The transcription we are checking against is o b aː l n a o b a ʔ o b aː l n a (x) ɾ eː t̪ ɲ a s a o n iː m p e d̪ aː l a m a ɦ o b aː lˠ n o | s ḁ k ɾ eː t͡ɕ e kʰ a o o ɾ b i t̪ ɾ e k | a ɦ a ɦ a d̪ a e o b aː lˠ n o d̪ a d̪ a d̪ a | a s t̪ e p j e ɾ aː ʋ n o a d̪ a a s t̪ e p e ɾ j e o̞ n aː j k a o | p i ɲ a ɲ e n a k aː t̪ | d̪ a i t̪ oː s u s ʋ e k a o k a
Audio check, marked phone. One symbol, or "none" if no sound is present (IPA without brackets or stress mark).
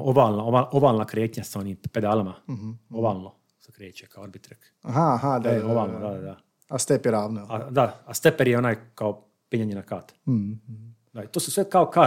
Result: k